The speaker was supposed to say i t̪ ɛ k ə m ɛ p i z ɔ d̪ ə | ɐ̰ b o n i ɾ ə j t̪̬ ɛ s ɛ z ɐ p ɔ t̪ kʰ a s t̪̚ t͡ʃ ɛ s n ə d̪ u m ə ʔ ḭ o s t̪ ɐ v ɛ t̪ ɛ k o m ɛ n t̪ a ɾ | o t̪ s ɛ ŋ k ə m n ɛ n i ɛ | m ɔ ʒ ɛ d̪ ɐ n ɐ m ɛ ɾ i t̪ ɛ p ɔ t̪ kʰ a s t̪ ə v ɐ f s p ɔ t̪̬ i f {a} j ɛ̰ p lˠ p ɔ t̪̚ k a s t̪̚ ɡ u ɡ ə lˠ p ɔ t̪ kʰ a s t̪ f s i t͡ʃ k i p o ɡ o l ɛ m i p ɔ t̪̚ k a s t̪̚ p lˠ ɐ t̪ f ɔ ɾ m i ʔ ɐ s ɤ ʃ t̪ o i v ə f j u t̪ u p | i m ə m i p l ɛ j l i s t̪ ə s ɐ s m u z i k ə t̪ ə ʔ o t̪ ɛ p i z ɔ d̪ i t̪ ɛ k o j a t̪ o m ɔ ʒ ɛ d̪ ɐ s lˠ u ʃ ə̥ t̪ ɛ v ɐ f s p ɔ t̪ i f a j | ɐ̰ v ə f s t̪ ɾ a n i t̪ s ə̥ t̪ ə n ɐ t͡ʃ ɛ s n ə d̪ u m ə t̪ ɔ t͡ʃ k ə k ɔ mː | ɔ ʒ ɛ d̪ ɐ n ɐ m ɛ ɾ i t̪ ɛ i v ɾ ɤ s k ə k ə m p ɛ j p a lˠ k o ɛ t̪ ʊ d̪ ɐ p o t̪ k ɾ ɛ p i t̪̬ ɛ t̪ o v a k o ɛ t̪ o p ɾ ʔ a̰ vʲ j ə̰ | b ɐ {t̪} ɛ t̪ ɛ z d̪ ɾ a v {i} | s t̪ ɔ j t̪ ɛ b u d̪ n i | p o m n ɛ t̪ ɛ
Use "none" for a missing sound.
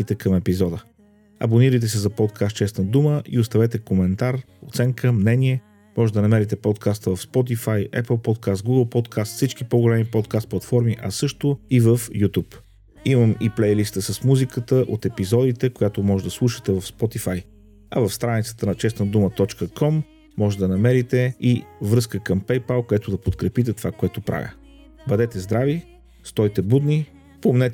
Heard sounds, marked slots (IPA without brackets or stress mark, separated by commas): a, d̪, i